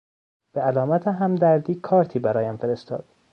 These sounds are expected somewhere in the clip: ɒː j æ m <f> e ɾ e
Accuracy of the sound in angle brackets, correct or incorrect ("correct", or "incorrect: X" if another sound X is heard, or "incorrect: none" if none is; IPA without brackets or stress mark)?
correct